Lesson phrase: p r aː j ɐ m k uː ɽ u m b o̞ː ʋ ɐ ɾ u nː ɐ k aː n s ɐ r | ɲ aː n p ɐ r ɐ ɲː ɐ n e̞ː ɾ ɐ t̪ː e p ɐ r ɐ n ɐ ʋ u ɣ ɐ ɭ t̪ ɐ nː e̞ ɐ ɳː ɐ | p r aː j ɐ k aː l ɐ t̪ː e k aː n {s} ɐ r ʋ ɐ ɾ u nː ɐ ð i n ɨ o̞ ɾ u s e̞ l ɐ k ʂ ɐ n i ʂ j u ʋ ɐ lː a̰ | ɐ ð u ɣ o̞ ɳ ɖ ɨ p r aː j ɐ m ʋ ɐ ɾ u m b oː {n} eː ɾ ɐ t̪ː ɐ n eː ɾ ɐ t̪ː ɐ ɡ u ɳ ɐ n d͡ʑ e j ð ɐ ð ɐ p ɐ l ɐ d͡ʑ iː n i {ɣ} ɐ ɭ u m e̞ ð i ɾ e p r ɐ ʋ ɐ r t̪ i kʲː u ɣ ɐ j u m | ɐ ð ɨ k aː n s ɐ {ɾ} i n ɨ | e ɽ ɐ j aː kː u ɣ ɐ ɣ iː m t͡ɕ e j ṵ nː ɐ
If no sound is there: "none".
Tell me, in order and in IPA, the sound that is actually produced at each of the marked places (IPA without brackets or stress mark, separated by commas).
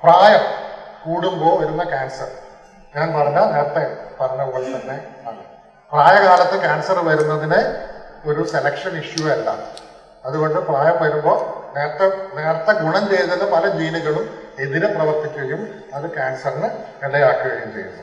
s, n, ɣ, r